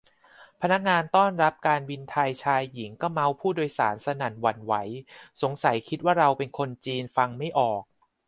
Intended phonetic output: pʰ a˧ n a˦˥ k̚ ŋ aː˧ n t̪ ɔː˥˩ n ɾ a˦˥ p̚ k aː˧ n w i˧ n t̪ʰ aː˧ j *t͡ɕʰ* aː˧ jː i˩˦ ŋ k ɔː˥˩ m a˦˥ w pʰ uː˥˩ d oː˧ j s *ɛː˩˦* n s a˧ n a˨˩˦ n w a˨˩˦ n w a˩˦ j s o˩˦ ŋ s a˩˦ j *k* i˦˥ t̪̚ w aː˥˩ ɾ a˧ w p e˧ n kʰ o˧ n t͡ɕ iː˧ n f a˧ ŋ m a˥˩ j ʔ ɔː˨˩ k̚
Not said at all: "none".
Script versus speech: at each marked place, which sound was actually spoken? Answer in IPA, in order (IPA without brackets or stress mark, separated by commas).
t͡ɕʰ, aː˩˦, kʰ